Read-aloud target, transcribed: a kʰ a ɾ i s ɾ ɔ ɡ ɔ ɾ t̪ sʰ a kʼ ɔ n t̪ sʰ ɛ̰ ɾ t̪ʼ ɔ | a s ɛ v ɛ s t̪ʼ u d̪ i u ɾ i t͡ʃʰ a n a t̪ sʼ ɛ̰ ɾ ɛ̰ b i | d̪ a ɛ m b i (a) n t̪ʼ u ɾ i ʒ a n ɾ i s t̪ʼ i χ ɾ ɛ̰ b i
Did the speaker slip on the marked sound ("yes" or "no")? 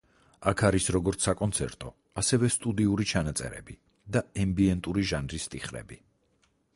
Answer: yes